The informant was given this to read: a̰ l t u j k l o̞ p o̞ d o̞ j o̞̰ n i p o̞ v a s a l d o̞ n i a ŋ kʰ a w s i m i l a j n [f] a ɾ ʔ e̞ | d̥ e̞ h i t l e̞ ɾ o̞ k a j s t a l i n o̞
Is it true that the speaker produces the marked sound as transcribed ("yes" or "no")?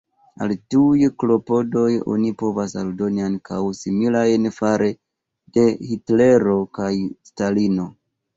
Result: yes